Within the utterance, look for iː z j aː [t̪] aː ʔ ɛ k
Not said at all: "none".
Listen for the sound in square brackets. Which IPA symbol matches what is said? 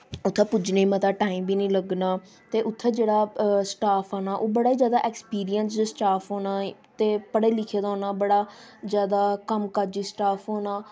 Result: d̪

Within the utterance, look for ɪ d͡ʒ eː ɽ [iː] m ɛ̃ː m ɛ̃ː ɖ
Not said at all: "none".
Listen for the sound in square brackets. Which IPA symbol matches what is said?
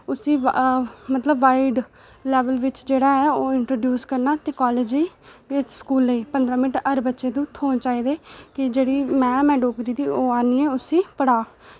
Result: iː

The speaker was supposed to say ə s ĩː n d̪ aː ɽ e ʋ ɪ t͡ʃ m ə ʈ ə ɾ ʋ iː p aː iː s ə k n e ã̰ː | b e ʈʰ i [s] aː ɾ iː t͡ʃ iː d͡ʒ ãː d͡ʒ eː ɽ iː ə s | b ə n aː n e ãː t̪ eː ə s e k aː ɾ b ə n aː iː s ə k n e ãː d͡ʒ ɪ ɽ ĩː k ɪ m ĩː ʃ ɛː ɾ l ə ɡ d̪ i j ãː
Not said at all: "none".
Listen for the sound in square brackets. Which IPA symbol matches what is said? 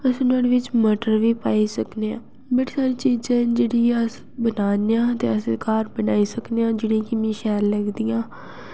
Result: s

